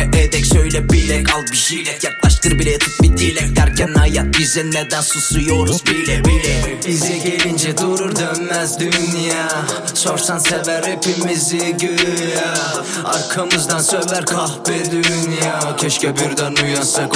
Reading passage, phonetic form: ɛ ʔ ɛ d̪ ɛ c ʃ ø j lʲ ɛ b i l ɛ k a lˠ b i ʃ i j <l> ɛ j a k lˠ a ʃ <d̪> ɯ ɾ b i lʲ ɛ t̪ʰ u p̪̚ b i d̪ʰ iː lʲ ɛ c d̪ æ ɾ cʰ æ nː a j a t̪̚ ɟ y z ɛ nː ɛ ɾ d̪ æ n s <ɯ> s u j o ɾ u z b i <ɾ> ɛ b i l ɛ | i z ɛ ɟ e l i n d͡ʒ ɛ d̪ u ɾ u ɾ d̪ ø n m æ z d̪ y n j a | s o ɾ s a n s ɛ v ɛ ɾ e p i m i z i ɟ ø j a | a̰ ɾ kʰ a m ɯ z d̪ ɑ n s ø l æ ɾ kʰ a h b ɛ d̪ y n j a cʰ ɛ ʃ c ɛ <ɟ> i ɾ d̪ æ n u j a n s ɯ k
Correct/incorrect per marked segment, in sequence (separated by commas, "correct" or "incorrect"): correct, incorrect, incorrect, incorrect, incorrect